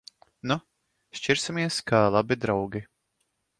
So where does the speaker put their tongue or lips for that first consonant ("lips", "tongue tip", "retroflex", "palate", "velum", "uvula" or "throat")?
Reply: tongue tip